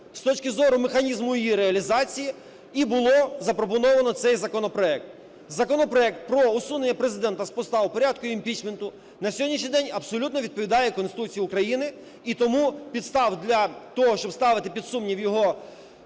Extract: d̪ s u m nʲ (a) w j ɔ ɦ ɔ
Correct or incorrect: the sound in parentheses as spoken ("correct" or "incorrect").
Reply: incorrect